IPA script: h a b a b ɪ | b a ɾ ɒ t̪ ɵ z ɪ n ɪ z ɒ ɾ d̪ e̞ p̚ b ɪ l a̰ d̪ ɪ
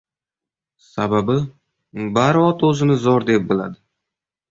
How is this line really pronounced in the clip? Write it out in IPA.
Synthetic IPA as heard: s a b a b ɪ | b a ɾ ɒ t̪ ɵ z ɪ n ɪ z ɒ ɾ d̪ e̞ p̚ b ɪ l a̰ d̪ ɪ